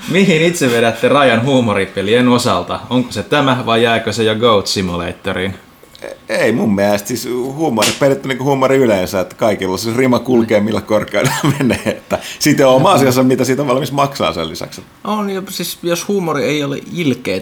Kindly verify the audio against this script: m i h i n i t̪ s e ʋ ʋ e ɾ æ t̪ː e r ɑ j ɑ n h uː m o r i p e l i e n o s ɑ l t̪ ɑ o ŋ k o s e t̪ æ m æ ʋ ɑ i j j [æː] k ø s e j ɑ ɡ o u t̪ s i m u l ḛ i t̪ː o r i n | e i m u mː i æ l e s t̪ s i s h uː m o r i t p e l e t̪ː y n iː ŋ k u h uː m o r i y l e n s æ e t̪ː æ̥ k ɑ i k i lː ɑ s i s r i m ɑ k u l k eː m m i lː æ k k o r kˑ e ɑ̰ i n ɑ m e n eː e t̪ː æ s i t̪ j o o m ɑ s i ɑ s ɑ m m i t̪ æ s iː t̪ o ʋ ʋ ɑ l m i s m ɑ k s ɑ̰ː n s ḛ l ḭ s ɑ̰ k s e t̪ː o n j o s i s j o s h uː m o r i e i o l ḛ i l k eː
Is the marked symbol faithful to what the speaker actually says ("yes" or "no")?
yes